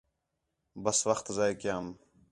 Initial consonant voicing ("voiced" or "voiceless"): voiced